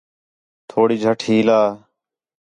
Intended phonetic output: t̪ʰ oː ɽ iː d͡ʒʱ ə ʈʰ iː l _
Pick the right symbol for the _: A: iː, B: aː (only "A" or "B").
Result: B